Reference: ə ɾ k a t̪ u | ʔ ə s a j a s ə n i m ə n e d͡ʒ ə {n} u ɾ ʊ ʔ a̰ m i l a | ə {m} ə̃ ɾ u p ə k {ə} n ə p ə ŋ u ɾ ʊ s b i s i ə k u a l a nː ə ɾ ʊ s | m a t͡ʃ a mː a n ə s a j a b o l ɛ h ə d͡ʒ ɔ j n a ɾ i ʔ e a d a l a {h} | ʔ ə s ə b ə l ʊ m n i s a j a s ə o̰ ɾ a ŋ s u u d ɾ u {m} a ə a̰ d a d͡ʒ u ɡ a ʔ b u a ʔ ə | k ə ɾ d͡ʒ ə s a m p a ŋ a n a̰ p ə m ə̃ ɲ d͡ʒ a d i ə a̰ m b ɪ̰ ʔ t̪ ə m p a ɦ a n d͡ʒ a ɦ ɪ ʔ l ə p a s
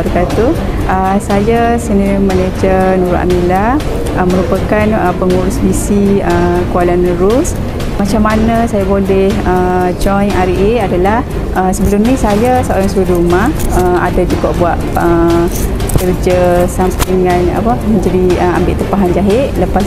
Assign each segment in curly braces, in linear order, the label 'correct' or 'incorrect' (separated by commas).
correct, correct, incorrect, correct, correct